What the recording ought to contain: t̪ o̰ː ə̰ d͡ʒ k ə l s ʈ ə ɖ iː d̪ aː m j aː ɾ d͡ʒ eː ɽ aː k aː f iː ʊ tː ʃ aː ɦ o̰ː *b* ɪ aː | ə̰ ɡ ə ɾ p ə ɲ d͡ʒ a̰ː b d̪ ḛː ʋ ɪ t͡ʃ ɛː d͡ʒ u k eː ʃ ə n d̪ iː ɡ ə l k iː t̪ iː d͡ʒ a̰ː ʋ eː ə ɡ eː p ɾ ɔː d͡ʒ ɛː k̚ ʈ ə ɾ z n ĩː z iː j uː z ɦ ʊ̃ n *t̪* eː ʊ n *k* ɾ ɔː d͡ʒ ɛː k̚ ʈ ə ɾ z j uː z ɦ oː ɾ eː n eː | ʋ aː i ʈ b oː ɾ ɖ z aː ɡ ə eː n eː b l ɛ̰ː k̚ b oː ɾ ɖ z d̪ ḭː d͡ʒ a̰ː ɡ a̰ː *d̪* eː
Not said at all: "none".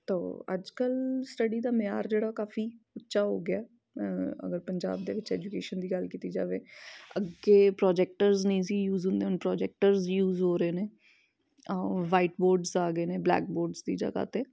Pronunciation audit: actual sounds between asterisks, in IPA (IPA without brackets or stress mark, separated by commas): ɡ, d̪, p, t̪